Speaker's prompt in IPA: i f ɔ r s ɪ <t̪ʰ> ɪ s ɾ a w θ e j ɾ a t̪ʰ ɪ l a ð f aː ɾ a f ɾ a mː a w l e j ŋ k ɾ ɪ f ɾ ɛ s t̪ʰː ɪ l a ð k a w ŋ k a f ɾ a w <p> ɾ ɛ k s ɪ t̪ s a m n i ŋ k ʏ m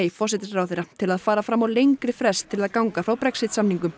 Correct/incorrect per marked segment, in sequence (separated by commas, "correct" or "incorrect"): incorrect, correct